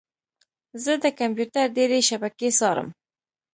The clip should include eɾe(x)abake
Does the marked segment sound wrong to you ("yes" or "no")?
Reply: yes